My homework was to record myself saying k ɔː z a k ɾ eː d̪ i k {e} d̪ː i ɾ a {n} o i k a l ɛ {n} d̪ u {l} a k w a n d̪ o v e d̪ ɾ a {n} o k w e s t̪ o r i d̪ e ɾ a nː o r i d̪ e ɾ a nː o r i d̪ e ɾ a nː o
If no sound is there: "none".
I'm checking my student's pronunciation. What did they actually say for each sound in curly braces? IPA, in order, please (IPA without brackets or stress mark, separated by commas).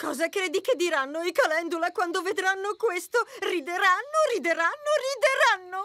e, nː, n, l, nː